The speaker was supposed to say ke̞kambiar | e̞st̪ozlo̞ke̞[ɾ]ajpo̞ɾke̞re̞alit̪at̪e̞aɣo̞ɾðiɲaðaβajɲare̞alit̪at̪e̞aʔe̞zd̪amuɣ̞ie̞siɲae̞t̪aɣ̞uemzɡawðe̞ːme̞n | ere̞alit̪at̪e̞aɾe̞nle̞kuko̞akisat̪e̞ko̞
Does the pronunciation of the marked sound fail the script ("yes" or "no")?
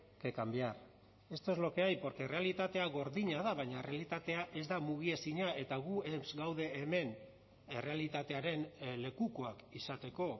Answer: yes